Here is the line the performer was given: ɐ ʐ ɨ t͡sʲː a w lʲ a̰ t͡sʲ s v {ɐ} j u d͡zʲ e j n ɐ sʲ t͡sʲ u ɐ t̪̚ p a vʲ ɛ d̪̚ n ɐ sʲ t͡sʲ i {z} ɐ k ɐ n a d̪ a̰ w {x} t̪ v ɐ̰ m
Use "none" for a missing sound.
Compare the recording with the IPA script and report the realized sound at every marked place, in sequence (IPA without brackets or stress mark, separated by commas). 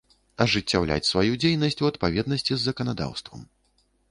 a, zː, s